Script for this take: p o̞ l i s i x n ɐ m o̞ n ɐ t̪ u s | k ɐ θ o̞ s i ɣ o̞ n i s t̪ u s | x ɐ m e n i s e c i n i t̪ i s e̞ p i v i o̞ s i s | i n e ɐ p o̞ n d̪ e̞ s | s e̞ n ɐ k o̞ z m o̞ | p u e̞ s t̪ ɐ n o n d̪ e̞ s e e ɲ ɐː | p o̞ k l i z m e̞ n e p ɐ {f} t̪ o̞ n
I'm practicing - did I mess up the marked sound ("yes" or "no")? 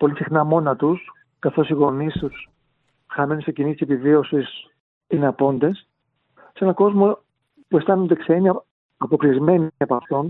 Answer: no